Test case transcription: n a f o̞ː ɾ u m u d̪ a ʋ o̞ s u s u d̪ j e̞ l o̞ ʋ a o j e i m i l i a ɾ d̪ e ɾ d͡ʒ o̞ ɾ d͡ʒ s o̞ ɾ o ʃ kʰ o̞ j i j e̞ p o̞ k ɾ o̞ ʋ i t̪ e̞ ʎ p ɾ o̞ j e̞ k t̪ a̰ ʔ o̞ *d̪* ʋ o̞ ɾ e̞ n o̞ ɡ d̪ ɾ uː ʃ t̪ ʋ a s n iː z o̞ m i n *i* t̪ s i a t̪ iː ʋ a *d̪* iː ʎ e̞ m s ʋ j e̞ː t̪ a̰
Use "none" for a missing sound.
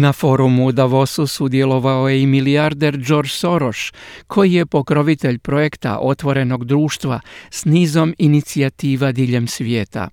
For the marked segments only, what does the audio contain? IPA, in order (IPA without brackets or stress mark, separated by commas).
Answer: t̪, i, d̪